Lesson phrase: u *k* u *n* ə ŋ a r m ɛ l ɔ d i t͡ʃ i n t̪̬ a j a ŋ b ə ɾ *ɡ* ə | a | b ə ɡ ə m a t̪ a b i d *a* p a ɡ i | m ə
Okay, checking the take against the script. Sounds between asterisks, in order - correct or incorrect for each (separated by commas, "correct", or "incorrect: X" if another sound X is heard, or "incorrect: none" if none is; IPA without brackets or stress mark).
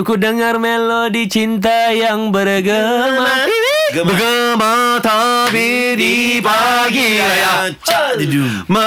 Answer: correct, incorrect: d, correct, incorrect: i